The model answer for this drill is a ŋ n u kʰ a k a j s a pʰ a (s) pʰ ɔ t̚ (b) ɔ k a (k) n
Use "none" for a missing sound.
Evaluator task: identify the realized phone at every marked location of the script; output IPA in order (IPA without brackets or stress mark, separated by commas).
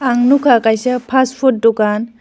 s, d, none